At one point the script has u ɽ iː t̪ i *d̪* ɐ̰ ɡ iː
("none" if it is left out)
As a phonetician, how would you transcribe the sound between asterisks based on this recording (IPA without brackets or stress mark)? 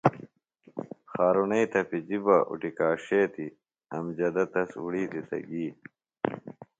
t̪